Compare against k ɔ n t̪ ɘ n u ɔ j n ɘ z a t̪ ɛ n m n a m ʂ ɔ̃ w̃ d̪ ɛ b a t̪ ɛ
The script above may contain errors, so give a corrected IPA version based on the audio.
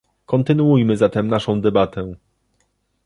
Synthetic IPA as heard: k ɔ n t̪ ɘ n u u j m ɘ z a t̪ ɛ m n a ʂ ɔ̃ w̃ d̪ ɛ b a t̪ ɛ